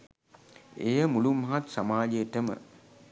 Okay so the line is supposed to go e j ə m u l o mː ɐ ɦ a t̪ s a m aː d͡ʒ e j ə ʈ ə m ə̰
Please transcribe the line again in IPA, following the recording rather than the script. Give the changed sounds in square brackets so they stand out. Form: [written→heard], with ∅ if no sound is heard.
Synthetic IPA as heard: e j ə m u l [o→u] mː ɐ ɦ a t̪ s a m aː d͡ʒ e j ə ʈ ə m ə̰